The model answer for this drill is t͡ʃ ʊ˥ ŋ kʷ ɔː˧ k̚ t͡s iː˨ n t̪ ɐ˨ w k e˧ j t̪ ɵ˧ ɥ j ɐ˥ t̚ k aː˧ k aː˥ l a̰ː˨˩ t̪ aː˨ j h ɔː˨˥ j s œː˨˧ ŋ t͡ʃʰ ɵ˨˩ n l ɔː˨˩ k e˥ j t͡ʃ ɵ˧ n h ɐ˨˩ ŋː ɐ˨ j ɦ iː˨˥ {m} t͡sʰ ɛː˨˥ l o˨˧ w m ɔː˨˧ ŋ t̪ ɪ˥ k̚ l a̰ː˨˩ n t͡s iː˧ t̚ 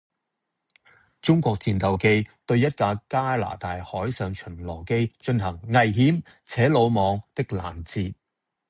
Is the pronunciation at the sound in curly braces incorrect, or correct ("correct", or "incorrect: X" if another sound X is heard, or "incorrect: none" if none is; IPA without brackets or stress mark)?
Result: correct